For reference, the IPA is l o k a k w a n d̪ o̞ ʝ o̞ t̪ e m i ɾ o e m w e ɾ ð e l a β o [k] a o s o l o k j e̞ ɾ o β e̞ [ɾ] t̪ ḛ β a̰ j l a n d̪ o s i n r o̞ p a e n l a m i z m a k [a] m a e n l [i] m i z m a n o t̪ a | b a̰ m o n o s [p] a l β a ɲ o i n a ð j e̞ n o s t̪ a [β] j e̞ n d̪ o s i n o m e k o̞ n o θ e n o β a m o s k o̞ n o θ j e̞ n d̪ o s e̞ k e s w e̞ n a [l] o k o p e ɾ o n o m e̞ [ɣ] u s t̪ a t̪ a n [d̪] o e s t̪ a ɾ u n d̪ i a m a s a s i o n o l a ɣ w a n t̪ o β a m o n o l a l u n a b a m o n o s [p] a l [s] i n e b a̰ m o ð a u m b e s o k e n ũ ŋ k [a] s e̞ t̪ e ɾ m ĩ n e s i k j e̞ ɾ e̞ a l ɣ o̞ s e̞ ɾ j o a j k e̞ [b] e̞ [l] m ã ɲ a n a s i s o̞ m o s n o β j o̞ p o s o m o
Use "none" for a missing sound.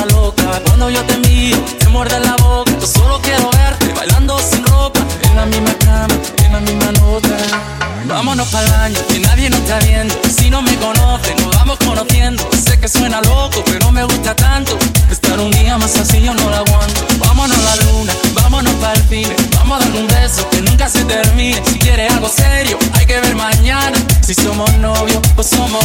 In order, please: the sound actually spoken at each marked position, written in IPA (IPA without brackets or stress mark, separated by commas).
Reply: k, ɾ, a, a, p, β, l, ɣ, t̪, p, f, a, β, ɾ